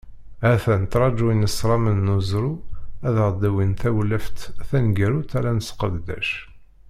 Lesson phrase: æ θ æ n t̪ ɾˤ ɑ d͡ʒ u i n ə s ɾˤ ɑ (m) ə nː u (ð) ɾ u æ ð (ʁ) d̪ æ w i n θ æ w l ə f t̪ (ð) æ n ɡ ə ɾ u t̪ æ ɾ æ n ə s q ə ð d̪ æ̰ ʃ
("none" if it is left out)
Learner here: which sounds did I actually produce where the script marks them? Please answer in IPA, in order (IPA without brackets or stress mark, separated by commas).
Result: m, z, ʁ, θ